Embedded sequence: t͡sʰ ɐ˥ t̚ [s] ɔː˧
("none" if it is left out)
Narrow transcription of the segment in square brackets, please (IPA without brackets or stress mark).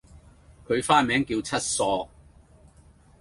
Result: s